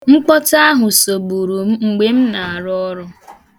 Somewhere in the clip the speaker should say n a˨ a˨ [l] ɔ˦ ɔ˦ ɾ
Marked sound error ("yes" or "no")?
yes